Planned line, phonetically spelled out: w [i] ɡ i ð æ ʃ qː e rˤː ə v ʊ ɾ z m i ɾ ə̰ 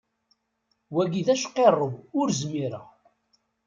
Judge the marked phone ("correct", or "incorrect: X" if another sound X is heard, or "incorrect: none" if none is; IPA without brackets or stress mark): incorrect: æ